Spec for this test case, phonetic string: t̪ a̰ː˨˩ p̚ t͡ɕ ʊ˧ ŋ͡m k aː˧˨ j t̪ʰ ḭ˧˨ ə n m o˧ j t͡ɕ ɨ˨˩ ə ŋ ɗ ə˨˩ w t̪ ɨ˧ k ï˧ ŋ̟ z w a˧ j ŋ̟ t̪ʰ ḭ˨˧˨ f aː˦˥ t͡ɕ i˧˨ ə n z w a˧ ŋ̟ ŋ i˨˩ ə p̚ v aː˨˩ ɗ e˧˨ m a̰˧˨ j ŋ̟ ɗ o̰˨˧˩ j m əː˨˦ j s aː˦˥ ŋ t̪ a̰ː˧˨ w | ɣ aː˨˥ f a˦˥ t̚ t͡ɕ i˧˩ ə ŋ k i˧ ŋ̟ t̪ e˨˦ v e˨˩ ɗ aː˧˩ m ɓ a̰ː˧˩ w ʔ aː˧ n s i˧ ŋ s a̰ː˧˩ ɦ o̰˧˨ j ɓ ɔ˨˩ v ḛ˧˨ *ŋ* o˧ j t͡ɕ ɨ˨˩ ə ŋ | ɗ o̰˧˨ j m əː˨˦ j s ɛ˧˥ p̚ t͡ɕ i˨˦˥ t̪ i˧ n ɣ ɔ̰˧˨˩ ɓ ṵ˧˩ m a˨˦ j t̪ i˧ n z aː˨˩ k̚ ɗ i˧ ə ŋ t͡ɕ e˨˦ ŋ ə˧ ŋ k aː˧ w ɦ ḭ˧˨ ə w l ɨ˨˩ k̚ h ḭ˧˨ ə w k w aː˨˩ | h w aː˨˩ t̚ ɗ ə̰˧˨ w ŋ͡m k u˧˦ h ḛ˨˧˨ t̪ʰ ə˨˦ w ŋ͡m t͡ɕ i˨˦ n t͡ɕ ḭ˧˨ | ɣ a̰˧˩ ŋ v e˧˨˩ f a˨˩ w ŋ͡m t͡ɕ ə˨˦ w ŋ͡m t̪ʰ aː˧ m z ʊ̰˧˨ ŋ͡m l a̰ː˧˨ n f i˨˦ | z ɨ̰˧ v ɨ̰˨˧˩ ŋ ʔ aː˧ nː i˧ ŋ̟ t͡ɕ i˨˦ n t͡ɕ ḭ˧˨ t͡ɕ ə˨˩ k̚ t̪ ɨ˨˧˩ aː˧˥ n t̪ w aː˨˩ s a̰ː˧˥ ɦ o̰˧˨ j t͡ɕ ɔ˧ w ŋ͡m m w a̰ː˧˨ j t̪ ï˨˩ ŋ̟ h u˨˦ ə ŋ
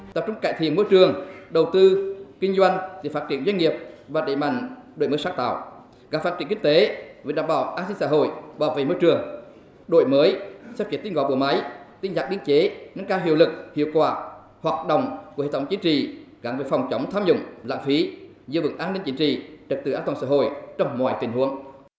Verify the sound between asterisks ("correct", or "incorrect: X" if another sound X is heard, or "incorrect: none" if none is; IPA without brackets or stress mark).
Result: incorrect: m